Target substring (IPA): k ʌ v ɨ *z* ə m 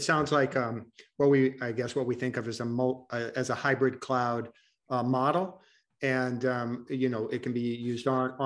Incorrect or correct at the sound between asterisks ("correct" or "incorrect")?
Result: correct